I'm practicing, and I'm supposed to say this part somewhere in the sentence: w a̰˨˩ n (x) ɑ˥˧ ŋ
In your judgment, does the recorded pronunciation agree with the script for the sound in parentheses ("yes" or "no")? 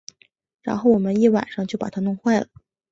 no